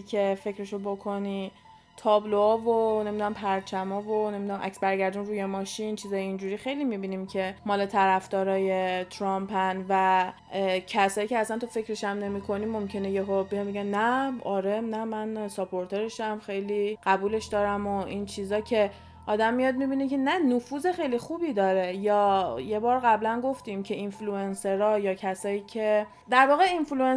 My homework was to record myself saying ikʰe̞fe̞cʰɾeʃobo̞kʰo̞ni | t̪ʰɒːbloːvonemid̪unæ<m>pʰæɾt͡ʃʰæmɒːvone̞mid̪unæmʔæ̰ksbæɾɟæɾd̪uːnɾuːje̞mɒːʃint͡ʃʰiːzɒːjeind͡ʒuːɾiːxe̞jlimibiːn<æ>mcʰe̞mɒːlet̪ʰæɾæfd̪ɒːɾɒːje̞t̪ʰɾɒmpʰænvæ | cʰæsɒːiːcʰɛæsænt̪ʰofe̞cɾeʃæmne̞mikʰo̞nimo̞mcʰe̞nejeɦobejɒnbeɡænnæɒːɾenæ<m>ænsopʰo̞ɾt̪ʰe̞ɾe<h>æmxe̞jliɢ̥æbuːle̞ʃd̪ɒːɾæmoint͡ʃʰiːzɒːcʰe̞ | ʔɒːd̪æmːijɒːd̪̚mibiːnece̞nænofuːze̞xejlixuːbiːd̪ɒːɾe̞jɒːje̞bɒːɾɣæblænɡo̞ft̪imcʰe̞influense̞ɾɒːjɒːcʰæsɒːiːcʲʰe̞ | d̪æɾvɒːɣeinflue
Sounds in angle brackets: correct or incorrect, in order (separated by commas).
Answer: correct, incorrect, correct, incorrect